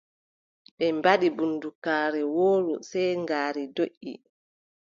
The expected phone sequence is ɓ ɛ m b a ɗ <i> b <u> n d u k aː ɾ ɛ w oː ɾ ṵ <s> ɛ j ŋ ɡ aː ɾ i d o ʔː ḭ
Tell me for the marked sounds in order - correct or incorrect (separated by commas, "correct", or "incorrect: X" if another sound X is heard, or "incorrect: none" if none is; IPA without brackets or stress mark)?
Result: correct, correct, correct